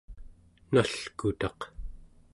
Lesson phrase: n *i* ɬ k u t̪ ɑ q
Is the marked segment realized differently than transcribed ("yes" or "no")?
yes